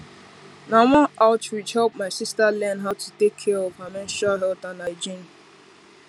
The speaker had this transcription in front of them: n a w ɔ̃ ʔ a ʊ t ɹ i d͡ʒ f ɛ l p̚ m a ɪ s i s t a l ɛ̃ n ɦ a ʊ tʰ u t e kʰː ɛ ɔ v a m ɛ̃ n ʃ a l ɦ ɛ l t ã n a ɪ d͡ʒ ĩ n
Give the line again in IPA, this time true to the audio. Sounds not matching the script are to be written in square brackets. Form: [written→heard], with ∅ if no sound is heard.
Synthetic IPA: n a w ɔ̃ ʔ a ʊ t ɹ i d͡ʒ [f→h] ɛ l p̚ m a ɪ s i s t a l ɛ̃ n ɦ a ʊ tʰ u t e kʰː ɛ ɔ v a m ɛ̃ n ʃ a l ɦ ɛ l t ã n a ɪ d͡ʒ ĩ n